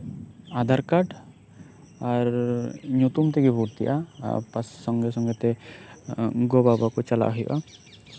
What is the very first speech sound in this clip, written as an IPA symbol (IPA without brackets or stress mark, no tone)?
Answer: a